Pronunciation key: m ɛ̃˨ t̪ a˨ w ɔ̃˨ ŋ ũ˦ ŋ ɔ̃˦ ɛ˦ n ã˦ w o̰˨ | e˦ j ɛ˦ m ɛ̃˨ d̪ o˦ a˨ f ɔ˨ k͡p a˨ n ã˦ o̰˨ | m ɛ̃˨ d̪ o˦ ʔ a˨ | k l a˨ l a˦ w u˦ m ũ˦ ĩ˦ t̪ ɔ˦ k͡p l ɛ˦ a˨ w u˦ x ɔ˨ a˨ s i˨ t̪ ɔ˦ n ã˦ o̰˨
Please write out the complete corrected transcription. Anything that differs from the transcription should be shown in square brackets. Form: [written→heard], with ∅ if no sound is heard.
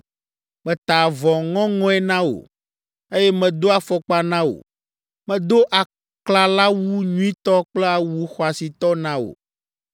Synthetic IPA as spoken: m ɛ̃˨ t̪ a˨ [w→v] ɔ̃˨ ŋ [ũ˦→ɔ̃˦] ŋ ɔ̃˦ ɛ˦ n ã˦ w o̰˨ | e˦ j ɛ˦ m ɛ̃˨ d̪ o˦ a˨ f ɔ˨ k͡p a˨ n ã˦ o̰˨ | m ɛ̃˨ d̪ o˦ ʔ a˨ | k l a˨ l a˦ w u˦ [m→ɲ] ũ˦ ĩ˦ t̪ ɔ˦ k͡p l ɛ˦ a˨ w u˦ x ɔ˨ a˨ s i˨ t̪ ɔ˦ n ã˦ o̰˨